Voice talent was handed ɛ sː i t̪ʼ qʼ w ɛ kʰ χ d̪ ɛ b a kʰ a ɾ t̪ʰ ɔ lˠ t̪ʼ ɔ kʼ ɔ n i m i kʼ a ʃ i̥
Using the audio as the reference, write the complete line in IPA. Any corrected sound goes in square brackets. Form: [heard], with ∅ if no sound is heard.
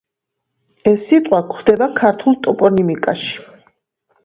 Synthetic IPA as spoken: ɛ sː i t̪ʼ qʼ w [a] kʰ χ d̪ ɛ b a kʰ a ɾ t̪ʰ [u] lˠ t̪ʼ ɔ [pʼ] ɔ n i m i kʼ a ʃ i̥